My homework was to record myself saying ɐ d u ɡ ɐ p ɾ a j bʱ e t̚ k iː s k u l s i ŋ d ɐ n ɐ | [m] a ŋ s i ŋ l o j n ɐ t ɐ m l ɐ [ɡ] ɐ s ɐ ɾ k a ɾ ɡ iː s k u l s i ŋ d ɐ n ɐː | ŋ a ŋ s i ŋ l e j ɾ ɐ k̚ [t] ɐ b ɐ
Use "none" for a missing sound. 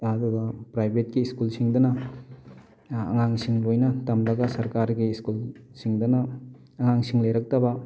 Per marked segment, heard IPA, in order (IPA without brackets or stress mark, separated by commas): ŋ, ɡ, t